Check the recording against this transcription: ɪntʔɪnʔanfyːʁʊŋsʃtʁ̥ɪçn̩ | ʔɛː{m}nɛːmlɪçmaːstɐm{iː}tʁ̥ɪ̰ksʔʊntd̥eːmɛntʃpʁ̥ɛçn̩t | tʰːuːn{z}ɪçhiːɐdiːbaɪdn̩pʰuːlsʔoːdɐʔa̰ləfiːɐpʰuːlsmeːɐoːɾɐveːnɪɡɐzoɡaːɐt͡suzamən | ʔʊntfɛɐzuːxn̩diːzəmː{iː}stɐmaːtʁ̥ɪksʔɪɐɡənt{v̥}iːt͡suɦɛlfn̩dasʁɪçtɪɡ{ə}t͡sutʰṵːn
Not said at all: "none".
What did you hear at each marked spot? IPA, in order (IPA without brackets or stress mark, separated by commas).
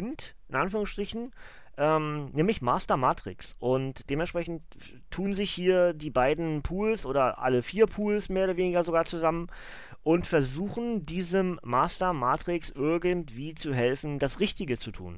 m, aː, z, aː, v̥, ə